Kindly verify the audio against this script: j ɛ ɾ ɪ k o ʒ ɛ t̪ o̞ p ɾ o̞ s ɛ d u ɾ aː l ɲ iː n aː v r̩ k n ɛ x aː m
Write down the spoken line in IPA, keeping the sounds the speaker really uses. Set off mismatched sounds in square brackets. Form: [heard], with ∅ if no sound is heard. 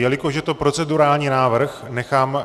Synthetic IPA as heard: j ɛ [l] ɪ k o ʒ ɛ t̪ o̞ p ɾ o̞ [t͡s] ɛ d u ɾ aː l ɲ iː n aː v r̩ [x] n ɛ x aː m